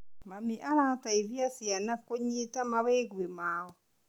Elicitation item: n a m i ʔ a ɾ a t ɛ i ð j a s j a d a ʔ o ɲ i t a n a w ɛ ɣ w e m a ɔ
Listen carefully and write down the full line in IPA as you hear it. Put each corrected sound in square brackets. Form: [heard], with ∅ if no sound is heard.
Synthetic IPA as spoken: [m] a m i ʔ a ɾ a t [a] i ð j a s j a [n] a [k] o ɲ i t a [m] a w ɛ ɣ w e m a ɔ